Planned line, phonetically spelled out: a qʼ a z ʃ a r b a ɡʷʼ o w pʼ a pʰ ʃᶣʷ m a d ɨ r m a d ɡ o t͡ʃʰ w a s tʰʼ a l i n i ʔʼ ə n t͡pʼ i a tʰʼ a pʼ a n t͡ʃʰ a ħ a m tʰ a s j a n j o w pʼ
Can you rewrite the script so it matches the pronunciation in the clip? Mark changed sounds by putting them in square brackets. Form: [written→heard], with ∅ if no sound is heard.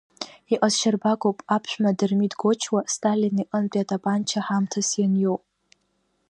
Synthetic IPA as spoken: [a→i] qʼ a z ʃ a r b a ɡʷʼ o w pʼ a pʰ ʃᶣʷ m a d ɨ r m [a→i] d ɡ o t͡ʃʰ w a s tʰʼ a l i n i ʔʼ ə n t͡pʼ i a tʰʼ a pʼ a n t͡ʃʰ a ħ a m tʰ a s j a n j o w pʼ